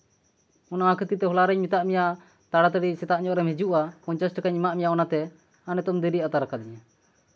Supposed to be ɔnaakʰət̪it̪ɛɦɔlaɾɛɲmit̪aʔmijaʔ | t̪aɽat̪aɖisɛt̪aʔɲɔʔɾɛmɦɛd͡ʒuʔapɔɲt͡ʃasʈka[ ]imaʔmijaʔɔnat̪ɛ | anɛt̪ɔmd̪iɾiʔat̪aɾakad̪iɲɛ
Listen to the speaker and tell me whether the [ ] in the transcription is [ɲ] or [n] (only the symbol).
ɲ